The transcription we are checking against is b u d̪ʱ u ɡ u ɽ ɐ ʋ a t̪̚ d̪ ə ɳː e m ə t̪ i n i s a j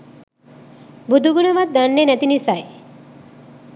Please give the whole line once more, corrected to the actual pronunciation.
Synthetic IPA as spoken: b u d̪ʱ u ɡ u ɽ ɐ ʋ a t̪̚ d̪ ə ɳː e n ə t̪ i n i s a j